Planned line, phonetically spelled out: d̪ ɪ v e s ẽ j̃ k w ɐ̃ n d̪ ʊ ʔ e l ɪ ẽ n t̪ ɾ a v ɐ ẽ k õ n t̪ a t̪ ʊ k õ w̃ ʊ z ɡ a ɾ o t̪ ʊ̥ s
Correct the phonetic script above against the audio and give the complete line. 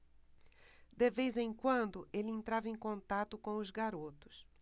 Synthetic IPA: d̪ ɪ v e z ẽ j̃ k w ɐ̃ n d̪ ʊ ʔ e l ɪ ẽ n t̪ ɾ a v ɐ ẽ k õ n t̪ a t̪ ʊ k õ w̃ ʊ z ɡ a ɾ o t̪ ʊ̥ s